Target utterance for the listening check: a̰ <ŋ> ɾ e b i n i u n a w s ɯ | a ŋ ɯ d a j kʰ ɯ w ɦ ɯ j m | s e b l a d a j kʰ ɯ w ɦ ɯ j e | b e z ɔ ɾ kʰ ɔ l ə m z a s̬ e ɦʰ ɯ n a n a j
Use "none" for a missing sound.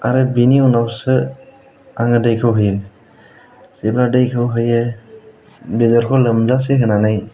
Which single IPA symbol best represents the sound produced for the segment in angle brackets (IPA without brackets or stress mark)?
none